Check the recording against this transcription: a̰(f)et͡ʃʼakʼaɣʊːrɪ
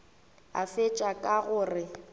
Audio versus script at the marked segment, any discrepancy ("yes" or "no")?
no